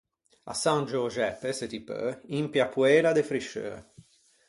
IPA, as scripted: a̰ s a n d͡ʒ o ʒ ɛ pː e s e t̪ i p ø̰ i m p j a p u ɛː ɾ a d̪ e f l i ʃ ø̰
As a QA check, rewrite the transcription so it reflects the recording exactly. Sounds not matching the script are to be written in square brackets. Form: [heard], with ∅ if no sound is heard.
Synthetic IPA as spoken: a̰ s a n d͡ʒ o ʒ ɛ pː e s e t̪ i p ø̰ i m p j a p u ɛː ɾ a d̪ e f [ɾ] i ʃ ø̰